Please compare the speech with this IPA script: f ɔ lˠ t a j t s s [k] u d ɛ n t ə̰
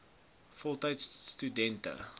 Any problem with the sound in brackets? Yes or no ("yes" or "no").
yes